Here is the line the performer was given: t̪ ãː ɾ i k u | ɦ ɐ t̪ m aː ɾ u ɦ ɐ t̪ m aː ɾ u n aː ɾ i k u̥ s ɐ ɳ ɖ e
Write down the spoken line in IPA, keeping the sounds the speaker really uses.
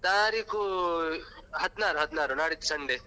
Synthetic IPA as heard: t̪ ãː ɾ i k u | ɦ ɐ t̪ n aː ɾ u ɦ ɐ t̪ n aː ɾ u n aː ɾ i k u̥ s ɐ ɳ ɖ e